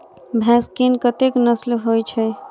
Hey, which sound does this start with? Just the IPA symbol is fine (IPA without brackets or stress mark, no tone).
bʱ